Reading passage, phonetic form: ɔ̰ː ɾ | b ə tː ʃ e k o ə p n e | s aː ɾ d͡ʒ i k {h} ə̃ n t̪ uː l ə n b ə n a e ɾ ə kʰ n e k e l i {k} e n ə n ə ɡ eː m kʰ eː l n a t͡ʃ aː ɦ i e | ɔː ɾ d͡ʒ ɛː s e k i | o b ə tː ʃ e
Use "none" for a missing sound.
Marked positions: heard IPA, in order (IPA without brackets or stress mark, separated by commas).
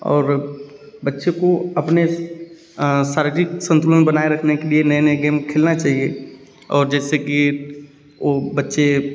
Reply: s, none